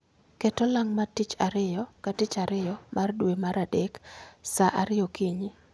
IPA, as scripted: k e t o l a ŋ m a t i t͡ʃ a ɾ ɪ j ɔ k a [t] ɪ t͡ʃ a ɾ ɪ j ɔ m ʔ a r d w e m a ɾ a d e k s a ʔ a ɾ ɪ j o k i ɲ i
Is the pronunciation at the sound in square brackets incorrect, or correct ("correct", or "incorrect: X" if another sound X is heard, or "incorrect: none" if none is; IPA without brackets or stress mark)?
correct